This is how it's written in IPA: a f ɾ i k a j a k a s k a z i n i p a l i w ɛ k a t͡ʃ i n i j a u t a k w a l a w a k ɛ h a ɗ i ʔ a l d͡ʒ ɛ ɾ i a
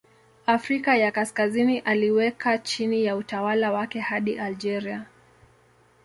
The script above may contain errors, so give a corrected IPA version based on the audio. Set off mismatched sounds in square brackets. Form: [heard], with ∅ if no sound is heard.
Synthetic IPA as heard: a f ɾ i k a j a k a s k a z i n i [ʔ] a l i w ɛ k a t͡ʃ i n i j a u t a [∅] w a l a w a k ɛ h a ɗ i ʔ a l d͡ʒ ɛ ɾ i a

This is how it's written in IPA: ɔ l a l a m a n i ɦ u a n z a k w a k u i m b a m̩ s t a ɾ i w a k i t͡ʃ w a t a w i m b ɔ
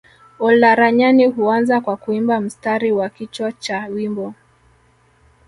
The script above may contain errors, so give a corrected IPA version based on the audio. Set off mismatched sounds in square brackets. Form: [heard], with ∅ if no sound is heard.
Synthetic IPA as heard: ɔ l a [ɾ] a [ɲ] a n i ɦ u a n z a k w a k u i m b a m̩ s t a ɾ i w a k i t͡ʃ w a [t͡ʃ] a w i m b ɔ

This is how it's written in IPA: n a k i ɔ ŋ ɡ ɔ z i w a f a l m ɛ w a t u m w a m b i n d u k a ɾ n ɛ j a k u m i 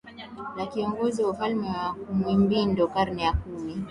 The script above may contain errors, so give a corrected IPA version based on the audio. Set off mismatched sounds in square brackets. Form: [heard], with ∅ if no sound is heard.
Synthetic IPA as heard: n a k i ɔ ŋ ɡ ɔ z i w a f a l m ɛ w a [k] u m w [i] m b i n d [ɔ] k a ɾ n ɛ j a k u m i

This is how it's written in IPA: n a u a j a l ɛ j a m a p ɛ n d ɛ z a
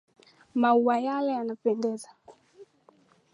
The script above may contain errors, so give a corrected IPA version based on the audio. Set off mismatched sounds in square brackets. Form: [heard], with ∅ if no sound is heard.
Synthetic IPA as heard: [m] a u a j a l ɛ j a [n] a p ɛ n d ɛ z a

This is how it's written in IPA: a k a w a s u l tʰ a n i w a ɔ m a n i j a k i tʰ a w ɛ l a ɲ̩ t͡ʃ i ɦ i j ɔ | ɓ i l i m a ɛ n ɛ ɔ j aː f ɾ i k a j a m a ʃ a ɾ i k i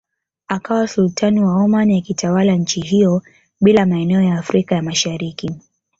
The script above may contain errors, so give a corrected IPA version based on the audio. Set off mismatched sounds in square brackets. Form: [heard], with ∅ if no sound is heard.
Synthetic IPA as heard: a k a w a s u l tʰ a n i w a ɔ m a n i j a k i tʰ a w [a] l a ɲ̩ t͡ʃ i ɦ i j ɔ | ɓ i l [a] m a ɛ n ɛ ɔ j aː f ɾ i k a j a m a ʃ a ɾ i k i

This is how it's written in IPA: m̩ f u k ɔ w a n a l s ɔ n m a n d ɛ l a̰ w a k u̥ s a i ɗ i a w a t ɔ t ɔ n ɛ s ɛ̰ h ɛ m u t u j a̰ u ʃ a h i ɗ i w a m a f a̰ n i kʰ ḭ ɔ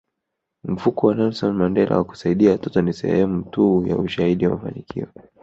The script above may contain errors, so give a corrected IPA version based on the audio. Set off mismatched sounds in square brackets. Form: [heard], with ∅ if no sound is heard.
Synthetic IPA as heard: m̩ f u k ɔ w a n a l s ɔ n m a n d ɛ l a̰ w a k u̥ s a i ɗ i a w a t ɔ t ɔ n [i] s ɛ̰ h ɛ m u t u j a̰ u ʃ a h i ɗ i w a m a f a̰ n i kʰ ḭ ɔ

